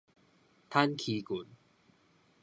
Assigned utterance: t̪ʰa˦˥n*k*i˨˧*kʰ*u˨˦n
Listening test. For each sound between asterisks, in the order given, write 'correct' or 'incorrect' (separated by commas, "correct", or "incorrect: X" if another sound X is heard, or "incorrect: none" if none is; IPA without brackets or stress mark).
incorrect: kʰ, incorrect: k